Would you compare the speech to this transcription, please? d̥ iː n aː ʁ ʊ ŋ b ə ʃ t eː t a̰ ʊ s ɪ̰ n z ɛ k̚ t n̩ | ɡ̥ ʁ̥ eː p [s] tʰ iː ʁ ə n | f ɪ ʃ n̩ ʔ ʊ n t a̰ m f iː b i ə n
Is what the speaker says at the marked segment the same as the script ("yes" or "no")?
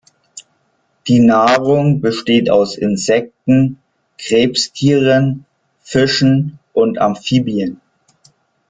yes